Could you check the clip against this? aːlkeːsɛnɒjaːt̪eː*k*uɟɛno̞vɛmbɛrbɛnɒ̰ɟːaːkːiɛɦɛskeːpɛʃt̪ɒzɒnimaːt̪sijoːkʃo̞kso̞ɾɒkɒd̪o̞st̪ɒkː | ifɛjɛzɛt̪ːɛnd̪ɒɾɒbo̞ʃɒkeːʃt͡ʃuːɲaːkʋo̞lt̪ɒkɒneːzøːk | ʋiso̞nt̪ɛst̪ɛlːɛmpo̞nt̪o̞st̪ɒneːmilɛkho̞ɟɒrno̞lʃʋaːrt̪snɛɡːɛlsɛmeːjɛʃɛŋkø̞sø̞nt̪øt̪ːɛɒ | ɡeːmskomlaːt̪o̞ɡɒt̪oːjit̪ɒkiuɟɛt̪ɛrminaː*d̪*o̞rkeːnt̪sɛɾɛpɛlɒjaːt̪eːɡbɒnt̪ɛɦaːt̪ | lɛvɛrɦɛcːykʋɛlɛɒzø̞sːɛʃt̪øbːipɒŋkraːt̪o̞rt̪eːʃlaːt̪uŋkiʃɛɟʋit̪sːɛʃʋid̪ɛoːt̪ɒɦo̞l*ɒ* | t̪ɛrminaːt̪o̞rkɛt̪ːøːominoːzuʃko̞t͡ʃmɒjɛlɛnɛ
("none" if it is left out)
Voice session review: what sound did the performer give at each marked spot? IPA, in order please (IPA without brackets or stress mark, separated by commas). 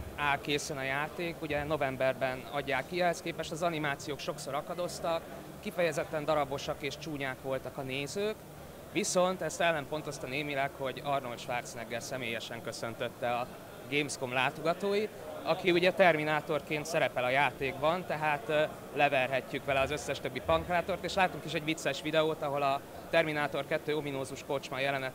k, t̪, ɒ